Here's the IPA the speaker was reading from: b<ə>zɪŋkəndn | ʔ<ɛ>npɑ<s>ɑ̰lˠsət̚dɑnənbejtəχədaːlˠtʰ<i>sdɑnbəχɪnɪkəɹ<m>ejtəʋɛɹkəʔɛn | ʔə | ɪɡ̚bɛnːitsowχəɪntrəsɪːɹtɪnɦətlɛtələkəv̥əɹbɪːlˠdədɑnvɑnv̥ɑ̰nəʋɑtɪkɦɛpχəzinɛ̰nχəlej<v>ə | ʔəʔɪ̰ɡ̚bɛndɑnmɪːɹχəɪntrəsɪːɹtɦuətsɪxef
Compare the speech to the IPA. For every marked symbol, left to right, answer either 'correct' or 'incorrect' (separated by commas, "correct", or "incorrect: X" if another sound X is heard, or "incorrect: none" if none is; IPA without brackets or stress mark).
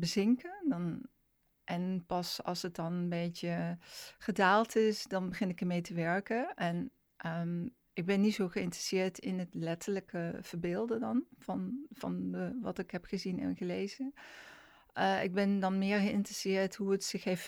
correct, correct, correct, incorrect: ɪ, correct, incorrect: z